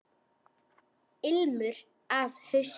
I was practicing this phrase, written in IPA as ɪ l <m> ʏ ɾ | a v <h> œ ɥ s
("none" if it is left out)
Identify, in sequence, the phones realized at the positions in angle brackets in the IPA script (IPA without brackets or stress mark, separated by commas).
m, h